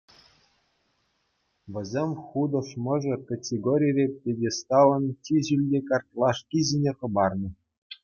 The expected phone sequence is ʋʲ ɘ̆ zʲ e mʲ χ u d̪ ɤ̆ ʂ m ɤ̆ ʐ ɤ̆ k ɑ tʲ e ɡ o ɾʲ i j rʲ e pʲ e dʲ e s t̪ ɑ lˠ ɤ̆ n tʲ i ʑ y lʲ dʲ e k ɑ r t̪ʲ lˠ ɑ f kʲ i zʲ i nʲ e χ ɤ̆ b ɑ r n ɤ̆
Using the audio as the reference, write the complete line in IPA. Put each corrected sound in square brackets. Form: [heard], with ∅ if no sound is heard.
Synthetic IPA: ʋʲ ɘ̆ zʲ e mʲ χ u d̪ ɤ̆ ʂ m ɤ̆ ʐ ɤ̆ k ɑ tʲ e ɡ o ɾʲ i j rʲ e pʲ e dʲ e s t̪ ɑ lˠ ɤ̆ n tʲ i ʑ y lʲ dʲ e k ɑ r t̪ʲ lˠ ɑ [ʂ] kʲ i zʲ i nʲ e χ ɤ̆ b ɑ r n ɤ̆